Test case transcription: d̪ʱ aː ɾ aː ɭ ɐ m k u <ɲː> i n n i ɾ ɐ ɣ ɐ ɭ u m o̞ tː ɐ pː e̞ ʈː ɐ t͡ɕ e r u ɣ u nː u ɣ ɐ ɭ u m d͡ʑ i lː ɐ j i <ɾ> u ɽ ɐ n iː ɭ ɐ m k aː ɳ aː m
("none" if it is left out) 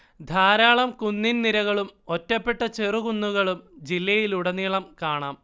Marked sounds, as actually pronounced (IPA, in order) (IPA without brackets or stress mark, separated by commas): nː, l